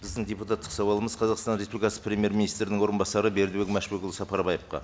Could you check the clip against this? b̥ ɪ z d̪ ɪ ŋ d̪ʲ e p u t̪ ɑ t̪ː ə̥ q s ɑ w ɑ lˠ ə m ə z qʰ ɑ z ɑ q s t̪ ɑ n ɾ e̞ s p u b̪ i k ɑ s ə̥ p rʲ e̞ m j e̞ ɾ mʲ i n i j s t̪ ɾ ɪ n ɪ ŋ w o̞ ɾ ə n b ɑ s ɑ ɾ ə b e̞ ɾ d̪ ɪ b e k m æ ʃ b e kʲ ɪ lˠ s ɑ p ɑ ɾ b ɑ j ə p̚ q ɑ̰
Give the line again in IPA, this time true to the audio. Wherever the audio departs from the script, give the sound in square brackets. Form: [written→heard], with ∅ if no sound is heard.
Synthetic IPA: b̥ ɪ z d̪ ɪ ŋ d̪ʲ e p u t̪ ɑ t̪ː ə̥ q s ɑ w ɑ lˠ ə m ə z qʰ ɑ z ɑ q s t̪ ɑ n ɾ e̞ s p u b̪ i k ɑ s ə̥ p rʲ e̞ m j e̞ ɾ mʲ i n i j s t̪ ɾ ɪ n ɪ ŋ w o̞ ɾ ə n b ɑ s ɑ ɾ ə b e̞ ɾ d̪ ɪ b e k m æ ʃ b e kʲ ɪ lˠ s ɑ p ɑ ɾ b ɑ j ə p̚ q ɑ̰